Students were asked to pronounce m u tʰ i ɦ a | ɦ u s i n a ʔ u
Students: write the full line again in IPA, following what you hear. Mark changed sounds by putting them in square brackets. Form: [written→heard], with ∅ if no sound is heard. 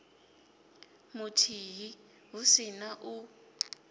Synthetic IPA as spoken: m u tʰ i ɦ [a→i] | ɦ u s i n a ʔ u